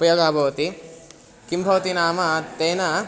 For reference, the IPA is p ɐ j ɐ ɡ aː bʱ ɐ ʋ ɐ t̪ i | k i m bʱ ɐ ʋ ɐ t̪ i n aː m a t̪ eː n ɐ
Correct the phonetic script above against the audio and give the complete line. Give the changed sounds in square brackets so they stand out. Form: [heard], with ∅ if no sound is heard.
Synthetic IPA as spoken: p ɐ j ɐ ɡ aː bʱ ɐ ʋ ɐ t̪ i | k i m bʱ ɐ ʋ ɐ t̪ i n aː m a t̪ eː n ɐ